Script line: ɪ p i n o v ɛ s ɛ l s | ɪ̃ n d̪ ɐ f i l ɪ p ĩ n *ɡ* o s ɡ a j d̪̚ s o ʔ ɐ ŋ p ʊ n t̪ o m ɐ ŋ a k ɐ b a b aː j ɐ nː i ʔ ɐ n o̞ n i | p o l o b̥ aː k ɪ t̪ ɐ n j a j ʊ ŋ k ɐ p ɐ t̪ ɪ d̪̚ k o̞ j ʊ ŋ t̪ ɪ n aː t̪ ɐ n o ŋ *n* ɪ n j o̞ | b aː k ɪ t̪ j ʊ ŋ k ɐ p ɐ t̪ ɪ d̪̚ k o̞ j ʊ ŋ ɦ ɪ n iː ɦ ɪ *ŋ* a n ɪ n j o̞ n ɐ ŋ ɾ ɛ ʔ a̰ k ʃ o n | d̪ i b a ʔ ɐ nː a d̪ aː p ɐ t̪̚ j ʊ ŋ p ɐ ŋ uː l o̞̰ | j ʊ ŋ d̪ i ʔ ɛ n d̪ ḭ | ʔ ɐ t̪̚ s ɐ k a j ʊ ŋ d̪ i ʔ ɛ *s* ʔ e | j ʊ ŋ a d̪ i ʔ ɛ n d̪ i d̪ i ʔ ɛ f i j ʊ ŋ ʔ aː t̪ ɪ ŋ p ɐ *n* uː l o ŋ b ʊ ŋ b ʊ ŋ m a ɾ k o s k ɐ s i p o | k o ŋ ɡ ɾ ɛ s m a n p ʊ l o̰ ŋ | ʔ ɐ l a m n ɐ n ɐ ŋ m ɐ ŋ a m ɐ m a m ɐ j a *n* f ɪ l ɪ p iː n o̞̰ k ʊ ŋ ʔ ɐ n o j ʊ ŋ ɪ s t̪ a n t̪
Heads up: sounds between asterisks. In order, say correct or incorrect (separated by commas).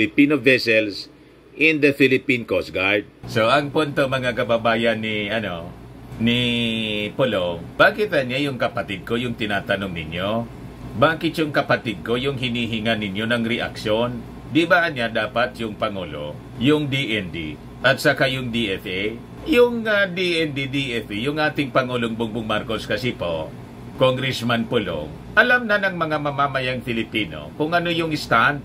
incorrect, correct, correct, incorrect, incorrect, incorrect